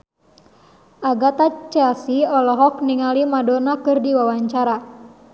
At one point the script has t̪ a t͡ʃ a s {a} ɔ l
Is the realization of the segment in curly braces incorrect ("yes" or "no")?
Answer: yes